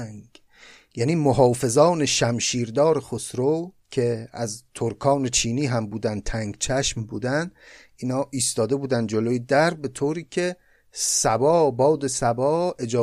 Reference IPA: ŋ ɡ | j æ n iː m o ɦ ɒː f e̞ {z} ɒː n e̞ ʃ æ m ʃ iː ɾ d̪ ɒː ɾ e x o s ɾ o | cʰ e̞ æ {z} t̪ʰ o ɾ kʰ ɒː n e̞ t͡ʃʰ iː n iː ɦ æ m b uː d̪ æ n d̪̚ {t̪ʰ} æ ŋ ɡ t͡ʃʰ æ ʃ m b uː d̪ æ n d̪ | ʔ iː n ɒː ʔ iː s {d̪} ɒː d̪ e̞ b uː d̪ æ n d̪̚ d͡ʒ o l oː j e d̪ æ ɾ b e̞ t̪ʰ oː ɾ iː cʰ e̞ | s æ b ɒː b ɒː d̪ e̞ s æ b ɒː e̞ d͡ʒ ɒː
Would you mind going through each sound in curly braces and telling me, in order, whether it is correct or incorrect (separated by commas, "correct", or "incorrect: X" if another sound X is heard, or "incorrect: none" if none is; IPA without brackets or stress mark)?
correct, correct, correct, incorrect: t̪